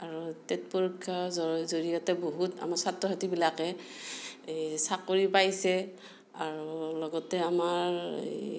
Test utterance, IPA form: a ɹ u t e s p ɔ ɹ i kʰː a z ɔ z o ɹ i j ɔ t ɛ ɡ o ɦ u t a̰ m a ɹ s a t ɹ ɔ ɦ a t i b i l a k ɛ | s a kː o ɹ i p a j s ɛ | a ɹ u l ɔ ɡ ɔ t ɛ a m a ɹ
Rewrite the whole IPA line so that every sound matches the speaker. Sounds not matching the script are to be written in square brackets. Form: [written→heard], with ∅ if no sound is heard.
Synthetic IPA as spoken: a ɹ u t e [s→t] p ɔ ɹ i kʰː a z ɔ z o ɹ i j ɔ t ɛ [ɡ→b] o ɦ u t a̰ m a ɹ s a t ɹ ɔ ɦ a t i b i l a k ɛ | s a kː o ɹ i p a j s ɛ | a ɹ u l ɔ ɡ ɔ t ɛ a m a ɹ